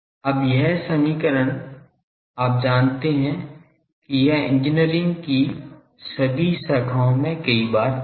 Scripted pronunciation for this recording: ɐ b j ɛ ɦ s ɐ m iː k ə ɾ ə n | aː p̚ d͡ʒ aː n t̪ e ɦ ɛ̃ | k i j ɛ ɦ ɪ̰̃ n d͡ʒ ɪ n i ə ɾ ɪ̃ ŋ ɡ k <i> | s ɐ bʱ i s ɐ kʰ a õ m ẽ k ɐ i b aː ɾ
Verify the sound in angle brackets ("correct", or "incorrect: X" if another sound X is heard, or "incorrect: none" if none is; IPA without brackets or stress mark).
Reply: correct